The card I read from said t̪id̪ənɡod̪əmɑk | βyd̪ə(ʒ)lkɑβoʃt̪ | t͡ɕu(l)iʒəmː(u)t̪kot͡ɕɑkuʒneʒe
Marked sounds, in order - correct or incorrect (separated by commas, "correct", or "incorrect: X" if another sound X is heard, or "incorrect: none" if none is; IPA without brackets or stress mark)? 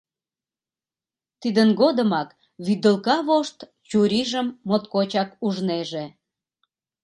incorrect: none, incorrect: ɾ, incorrect: o